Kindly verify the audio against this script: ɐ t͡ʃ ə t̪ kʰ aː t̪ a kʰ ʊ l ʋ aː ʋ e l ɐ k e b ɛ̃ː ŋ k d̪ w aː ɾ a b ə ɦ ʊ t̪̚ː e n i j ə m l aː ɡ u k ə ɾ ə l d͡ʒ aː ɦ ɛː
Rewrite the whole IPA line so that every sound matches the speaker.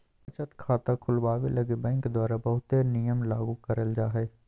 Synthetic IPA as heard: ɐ t͡ʃ ə t̪ kʰ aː t̪ a kʰ ʊ l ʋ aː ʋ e l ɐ ɡ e b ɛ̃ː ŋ k d̪ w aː ɾ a b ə ɦ ʊ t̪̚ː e n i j ə m l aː ɡ u k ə ɾ ə l d͡ʒ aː ɦ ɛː